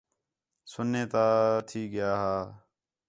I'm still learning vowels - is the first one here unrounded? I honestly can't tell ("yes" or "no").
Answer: no